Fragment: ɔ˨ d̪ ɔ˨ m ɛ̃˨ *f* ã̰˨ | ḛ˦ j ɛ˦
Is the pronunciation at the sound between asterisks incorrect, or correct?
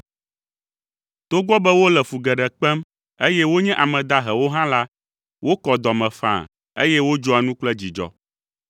correct